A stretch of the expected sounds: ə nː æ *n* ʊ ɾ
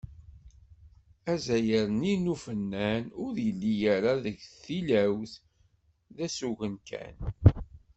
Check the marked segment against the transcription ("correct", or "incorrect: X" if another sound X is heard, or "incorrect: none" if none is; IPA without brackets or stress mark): correct